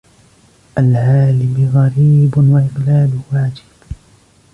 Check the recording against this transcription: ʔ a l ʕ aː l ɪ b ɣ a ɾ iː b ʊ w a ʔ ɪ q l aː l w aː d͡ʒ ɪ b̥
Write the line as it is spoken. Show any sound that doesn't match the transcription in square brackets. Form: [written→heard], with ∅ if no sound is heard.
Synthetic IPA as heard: ʔ a l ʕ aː l ɪ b ɣ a ɾ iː b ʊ w a ʔ ɪ q l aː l w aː d͡ʒ ɪ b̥